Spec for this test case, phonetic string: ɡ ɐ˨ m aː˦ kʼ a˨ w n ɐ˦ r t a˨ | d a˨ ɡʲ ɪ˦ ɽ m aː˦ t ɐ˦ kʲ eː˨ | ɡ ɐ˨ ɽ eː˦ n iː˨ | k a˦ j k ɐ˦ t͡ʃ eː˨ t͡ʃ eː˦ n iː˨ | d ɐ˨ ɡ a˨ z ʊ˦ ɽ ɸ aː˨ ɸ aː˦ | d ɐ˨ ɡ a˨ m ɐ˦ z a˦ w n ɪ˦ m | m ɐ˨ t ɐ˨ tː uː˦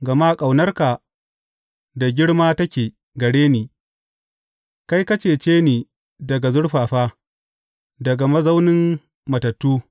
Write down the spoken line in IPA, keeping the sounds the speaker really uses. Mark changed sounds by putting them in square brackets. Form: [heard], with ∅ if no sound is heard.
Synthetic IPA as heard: ɡ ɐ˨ m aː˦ kʼ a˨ w n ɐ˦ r [k] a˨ | d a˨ ɡʲ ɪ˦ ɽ m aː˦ t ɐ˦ kʲ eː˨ | ɡ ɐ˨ ɽ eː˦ n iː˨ | k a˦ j k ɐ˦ t͡ʃ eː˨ t͡ʃ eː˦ n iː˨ | d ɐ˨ ɡ a˨ z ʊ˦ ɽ ɸ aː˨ ɸ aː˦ | d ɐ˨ ɡ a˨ m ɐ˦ z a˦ w n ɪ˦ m | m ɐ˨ t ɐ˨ tː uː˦